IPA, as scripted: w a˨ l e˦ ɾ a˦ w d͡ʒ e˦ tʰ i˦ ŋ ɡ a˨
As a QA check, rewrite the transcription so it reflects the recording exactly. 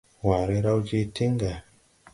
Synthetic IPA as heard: w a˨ ɾ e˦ ɾ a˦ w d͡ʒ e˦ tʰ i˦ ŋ ɡ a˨